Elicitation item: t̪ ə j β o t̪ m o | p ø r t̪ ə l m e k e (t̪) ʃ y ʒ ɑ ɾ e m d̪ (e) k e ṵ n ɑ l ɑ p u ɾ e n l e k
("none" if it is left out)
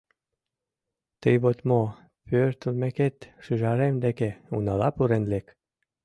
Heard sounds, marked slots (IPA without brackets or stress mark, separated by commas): t̪, e